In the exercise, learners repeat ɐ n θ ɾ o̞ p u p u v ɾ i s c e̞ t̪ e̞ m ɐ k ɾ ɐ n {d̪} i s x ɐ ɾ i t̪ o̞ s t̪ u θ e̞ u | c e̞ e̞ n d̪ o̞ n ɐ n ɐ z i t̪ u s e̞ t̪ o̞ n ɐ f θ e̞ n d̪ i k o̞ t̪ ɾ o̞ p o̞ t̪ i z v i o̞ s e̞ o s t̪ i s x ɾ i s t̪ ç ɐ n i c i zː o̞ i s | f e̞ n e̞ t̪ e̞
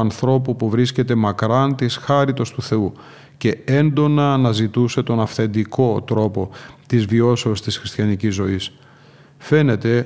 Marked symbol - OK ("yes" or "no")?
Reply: no